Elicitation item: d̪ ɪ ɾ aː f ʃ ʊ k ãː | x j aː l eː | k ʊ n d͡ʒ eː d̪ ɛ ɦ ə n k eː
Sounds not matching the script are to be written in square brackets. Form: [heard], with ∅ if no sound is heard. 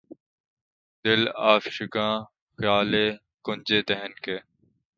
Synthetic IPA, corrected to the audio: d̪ ɪ [l] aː f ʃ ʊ k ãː | x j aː l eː | k ʊ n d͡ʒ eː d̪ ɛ ɦ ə n k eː